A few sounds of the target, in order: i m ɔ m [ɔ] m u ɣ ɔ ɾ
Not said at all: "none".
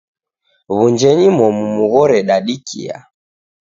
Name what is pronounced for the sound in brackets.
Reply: u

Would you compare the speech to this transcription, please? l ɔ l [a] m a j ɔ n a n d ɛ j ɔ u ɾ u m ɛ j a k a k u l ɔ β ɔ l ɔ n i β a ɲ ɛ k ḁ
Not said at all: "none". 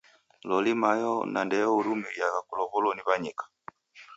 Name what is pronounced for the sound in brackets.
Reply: i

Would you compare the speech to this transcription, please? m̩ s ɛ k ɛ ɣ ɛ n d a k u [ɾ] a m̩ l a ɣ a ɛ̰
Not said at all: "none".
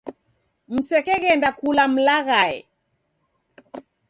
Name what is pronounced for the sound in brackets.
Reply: l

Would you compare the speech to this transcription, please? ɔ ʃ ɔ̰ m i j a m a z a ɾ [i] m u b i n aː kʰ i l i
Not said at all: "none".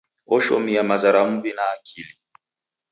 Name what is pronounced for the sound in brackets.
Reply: a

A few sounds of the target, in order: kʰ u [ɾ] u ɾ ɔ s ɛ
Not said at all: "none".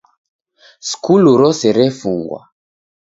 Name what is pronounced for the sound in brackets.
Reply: l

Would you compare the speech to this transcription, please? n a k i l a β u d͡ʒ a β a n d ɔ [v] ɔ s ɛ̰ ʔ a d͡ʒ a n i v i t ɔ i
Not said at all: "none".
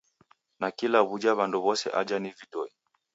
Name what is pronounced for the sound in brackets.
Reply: β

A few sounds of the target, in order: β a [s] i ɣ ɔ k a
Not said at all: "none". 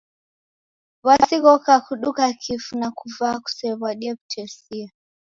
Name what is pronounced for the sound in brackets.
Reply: s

